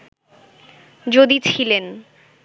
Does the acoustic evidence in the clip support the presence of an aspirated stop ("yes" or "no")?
yes